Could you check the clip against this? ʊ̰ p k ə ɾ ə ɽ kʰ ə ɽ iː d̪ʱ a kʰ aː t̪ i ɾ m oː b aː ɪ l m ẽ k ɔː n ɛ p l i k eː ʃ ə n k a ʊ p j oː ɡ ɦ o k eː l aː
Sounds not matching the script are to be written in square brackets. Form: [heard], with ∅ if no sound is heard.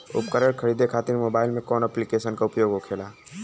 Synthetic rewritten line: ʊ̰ p k ə ɾ ə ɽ kʰ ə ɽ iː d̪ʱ [e] kʰ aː t̪ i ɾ m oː b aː ɪ l m ẽ k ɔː n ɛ p l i k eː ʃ ə n k a ʊ p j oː ɡ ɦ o [kʰ] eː l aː